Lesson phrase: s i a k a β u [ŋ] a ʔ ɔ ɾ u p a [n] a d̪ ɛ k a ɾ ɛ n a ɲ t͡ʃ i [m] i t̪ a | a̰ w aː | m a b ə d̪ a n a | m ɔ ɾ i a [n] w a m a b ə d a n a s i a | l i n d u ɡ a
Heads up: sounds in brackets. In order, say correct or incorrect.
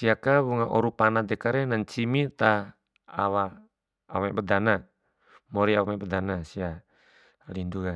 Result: correct, correct, correct, incorrect: none

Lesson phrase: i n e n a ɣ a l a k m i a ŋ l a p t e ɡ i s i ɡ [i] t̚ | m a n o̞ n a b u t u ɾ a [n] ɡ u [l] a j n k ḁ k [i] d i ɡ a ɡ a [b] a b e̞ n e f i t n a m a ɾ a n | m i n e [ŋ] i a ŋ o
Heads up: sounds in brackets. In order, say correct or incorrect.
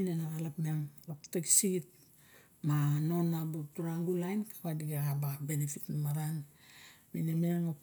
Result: correct, incorrect: ŋ, correct, incorrect: a, correct, incorrect: m

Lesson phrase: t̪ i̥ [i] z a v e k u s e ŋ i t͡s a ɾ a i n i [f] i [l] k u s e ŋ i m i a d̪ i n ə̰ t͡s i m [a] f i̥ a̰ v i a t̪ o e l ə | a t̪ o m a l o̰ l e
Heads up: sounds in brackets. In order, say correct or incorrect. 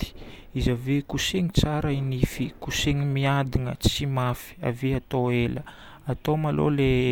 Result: correct, correct, incorrect: none, correct

